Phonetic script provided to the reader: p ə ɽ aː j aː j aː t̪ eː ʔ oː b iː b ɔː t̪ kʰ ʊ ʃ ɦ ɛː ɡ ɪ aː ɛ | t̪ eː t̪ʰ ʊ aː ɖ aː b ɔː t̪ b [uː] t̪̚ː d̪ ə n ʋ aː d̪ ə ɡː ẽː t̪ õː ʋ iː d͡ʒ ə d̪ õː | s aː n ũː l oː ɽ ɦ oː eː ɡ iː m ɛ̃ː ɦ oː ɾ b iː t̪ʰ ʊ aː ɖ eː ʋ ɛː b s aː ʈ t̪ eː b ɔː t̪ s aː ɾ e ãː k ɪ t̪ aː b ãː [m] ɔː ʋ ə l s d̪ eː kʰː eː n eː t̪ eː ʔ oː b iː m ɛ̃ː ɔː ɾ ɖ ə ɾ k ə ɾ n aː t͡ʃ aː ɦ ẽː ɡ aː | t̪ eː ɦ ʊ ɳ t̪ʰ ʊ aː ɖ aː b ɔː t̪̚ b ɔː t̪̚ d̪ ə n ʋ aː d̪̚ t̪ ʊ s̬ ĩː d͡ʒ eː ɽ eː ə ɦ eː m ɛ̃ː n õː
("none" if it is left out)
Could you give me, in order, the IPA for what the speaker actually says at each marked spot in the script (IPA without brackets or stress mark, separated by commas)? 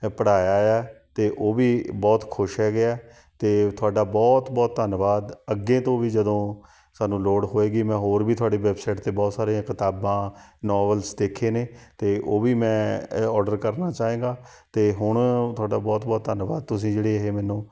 ɔː, n